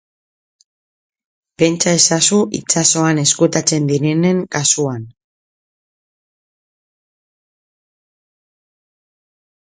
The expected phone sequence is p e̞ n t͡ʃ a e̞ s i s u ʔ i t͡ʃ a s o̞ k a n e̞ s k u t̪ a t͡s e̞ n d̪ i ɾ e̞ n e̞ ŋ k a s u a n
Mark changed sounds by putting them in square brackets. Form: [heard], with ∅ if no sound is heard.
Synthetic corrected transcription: p e̞ n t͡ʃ a e̞ s [a] s u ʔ i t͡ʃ a s o̞ [∅] a n e̞ s k u t̪ a t͡s e̞ n d̪ i ɾ e̞ n e̞ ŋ k a s u a n